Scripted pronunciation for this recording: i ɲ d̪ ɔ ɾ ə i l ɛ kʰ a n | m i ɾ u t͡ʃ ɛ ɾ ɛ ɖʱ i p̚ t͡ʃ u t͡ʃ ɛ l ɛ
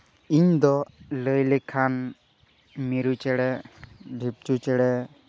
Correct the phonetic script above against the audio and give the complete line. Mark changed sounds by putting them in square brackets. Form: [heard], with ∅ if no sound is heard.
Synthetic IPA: i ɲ d̪ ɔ [l] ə [j] l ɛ kʰ a n | m i ɾ u t͡ʃ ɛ [ɽ] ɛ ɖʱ i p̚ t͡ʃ u t͡ʃ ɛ [ɽ] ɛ